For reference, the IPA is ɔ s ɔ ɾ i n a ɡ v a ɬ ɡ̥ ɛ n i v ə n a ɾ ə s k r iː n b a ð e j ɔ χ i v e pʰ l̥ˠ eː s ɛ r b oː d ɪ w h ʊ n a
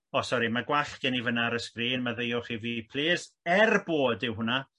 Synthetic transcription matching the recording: ɔ s ɔ ɾ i m a ɡ w a ɬ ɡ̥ ɛ n i v ə n a ɾ ə s k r iː n m a ð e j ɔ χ i v i pʰ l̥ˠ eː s ɛ r b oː d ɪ w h ʊ n a